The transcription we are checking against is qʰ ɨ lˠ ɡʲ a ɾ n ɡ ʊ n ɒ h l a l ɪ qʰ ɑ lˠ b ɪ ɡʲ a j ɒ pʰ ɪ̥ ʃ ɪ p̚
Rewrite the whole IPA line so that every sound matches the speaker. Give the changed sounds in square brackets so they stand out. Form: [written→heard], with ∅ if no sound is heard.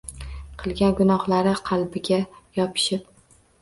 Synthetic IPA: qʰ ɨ lˠ ɡʲ a [ɾ→∅] n ɡ ʊ n ɒ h l a [l→ɾ] ɪ qʰ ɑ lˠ b ɪ ɡʲ a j ɒ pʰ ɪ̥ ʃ ɪ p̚